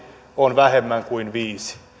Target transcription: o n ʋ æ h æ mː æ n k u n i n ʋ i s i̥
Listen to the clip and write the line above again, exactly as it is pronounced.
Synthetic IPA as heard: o n ʋ æ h e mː æ ŋ k u i n ʋ iː s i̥